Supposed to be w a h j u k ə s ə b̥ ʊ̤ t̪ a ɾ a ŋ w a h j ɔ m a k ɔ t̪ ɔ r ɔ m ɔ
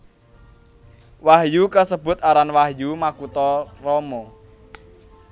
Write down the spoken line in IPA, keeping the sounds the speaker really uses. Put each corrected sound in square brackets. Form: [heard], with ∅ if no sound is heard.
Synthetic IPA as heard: w a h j u k ə s ə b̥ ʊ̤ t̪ a ɾ a [n] w a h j [u] m a k [u] t̪ ɔ r ɔ m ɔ